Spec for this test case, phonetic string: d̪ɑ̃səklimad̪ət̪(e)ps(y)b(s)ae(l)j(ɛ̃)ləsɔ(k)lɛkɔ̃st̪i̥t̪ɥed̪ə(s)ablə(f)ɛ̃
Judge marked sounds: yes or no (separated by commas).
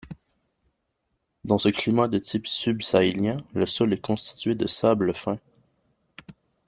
no, yes, yes, yes, yes, no, yes, yes